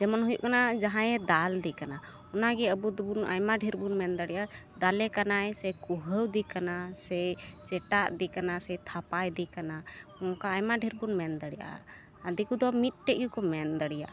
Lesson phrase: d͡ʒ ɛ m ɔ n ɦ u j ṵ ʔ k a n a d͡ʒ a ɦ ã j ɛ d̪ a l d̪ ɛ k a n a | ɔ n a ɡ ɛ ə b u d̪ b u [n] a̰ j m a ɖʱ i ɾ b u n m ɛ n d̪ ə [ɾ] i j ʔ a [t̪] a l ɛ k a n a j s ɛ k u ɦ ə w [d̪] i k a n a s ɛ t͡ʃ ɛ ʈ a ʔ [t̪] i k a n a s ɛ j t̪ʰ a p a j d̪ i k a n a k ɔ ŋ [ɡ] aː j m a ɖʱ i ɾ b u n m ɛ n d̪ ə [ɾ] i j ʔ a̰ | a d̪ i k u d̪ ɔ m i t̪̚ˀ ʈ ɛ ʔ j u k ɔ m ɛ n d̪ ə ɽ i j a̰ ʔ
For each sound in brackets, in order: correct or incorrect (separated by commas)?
correct, incorrect, incorrect, correct, incorrect, incorrect, incorrect